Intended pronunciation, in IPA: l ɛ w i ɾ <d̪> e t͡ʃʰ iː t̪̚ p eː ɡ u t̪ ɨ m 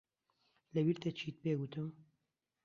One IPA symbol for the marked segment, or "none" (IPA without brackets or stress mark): t̪